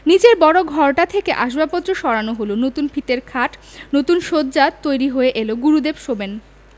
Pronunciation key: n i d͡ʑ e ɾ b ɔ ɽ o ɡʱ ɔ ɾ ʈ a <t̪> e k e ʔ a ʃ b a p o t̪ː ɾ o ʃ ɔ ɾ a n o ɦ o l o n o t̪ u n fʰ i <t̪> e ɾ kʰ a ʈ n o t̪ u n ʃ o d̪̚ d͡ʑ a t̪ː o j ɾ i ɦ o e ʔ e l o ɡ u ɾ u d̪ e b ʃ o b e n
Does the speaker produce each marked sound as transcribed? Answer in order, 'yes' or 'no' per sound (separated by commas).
no, yes